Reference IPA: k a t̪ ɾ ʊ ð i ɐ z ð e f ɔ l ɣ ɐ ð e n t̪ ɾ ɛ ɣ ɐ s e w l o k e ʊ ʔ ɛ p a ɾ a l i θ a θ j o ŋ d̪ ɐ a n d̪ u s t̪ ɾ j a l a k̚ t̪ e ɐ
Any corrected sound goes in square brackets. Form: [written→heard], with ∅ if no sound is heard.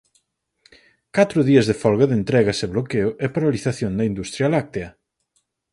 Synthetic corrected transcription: k a t̪ ɾ ʊ ð i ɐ z ð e f ɔ l ɣ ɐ ð e n t̪ ɾ ɛ ɣ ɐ s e [w→β] l o k e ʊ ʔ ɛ p a ɾ a l i θ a θ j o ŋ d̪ ɐ [a→i] n d̪ u s t̪ ɾ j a l a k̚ t̪ e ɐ